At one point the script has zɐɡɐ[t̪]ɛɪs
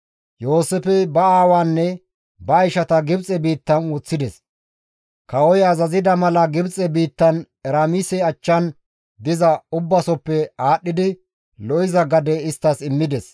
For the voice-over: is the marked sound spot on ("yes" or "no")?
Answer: no